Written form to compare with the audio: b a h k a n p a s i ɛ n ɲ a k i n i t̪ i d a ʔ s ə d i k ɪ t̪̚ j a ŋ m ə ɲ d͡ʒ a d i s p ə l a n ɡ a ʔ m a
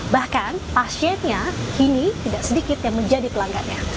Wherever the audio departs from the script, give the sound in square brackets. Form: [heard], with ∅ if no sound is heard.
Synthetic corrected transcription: b a h k a n p a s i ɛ n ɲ a k i n i t̪ i d a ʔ s ə d i k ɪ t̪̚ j a ŋ m ə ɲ d͡ʒ a d i [∅] p ə l a [ŋ] ɡ a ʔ [ɲ] a